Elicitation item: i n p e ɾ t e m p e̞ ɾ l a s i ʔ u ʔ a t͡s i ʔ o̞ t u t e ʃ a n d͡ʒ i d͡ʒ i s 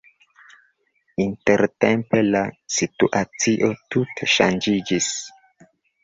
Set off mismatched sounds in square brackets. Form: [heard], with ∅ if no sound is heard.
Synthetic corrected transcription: i n [t] e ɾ t e m p e̞ [∅] l a s i [t] u ʔ a t͡s i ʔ o̞ t u t e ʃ a n d͡ʒ i d͡ʒ i s